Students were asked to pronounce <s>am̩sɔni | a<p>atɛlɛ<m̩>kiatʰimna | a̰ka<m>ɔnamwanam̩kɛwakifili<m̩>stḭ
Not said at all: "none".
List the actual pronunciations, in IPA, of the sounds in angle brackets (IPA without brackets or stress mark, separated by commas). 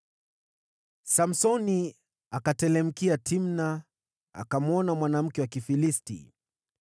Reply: s, k, m̩, m, none